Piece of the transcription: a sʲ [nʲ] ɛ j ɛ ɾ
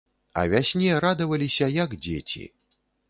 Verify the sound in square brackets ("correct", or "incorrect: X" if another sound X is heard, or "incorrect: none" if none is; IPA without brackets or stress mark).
correct